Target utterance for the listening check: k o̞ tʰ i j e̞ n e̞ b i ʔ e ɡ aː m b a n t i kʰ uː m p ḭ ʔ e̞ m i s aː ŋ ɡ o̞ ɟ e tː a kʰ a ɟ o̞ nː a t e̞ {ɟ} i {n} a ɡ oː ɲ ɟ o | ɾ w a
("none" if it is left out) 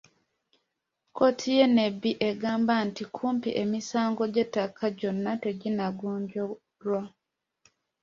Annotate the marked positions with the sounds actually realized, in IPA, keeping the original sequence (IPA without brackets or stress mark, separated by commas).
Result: ɟ, n